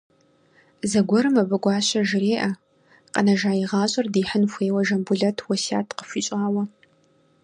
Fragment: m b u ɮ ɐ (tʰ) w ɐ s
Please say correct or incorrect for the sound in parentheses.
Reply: correct